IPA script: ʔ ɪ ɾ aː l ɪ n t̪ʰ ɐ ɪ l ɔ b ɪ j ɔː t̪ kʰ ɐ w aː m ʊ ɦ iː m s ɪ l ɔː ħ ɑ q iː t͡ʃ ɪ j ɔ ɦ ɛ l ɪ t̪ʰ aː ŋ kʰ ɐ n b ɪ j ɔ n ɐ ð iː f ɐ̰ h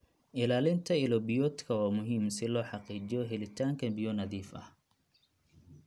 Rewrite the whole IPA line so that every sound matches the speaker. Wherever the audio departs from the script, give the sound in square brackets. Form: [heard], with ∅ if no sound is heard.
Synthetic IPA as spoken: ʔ ɪ [l] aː l ɪ n t̪ʰ ɐ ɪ l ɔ b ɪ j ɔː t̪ kʰ ɐ w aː m ʊ ɦ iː m s ɪ l ɔː ħ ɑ q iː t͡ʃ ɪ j ɔ ɦ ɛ l ɪ t̪ʰ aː ŋ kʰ ɐ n b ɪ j ɔ n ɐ ð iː f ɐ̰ h